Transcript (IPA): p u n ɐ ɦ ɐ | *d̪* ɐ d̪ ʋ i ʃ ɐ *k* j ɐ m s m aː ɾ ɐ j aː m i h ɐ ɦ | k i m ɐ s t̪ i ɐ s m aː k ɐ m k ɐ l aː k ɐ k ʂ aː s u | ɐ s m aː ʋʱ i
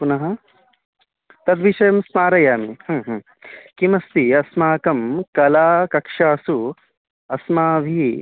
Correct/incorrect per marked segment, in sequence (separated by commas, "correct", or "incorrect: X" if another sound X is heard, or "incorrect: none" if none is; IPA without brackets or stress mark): incorrect: t̪, incorrect: none